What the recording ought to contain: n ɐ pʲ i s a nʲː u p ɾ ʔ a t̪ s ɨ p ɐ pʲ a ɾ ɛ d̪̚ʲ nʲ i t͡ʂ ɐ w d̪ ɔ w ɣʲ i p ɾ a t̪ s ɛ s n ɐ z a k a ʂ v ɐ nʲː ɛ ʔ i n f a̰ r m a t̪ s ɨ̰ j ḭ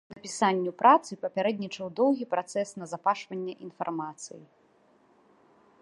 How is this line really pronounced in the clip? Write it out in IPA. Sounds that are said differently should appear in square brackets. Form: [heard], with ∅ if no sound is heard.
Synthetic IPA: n ɐ pʲ i s a nʲː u p ɾ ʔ a t̪ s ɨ p ɐ pʲ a ɾ ɛ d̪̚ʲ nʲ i t͡ʂ ɐ w d̪ ɔ w ɣʲ i p ɾ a t̪ s ɛ s n ɐ z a [p] a ʂ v ɐ nʲː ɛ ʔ i n f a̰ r m a t̪ s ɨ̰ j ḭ